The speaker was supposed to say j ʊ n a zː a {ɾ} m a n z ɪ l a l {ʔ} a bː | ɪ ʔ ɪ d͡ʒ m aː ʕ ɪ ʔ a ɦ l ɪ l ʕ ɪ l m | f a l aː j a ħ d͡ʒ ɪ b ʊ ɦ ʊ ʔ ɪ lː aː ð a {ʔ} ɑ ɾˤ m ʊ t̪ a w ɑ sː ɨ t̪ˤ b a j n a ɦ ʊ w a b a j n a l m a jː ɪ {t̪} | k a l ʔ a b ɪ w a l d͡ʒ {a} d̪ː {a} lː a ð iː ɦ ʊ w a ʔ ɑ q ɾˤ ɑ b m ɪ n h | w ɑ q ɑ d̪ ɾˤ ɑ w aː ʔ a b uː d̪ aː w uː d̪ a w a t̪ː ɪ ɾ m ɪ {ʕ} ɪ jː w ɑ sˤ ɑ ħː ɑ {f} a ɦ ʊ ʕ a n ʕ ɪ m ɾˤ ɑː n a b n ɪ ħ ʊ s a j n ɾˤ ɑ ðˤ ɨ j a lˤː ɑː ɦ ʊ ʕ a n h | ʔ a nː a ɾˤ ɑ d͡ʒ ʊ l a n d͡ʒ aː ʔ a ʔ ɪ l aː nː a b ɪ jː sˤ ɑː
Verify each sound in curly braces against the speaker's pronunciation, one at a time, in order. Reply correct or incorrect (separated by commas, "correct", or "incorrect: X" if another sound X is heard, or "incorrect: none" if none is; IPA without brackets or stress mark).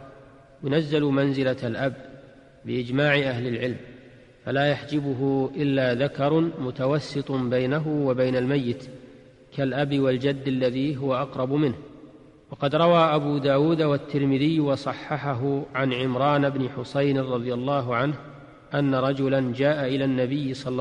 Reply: incorrect: l, correct, incorrect: k, correct, correct, correct, incorrect: ð, incorrect: ħ